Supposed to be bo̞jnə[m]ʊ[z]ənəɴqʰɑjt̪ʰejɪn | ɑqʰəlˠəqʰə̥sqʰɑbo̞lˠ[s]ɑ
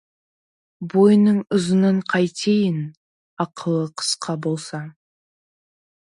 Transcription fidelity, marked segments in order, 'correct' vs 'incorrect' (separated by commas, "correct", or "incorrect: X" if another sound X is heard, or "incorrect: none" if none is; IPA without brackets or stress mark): incorrect: ɴ, correct, correct